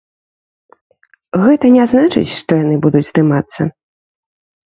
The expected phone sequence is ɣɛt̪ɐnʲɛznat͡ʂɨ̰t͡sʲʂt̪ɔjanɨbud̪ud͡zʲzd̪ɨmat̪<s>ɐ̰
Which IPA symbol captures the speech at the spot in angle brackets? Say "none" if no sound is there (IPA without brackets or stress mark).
sː